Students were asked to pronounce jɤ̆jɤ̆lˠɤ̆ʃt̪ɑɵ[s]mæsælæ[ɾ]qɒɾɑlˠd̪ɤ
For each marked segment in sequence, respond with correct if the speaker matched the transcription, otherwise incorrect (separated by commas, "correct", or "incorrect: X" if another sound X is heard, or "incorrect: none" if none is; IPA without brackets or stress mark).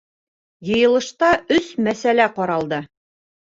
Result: correct, incorrect: none